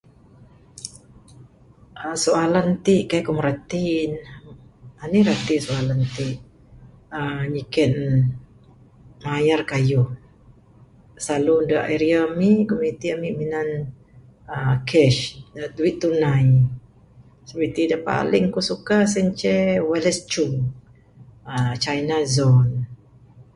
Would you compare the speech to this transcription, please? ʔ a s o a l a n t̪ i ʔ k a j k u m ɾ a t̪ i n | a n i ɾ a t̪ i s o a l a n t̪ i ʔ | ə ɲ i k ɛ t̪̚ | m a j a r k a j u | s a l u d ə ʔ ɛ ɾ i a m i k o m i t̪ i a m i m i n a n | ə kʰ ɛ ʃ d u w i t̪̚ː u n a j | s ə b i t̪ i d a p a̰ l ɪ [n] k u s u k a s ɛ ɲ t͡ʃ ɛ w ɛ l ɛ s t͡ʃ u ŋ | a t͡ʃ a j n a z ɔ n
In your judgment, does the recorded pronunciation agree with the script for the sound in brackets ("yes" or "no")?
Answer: no